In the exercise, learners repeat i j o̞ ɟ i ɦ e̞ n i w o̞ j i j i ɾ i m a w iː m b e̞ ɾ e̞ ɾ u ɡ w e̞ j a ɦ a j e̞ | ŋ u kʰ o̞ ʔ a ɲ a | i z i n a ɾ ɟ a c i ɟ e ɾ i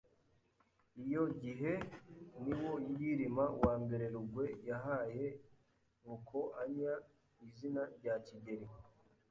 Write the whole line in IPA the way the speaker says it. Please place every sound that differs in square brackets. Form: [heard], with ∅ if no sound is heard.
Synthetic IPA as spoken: i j o̞ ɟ i ɦ e̞ n i w o̞ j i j i ɾ i m a w [aː] m b e̞ ɾ e̞ ɾ u ɡ w e̞ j a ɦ a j e̞ | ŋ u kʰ o̞ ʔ a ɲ a | i z i n a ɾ ɟ a c i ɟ e ɾ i